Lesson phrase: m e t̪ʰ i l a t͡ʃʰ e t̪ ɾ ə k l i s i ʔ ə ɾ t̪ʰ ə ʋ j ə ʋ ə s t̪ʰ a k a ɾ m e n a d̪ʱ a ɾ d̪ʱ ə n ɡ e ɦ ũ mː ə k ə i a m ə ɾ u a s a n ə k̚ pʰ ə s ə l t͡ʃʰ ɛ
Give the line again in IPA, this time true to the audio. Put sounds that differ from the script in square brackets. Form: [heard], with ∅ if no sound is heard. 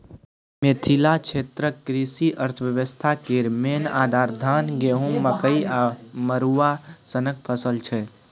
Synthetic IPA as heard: m e t̪ʰ i l a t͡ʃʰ e t̪ ɾ ə k [ɾ] i s i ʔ ə ɾ t̪ʰ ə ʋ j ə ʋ ə s t̪ʰ a k [e] ɾ m e n a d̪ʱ a ɾ d̪ʱ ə n ɡ e ɦ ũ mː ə k ə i a m ə ɾ u a s [ə] n ə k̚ pʰ ə s ə l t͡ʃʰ ɛ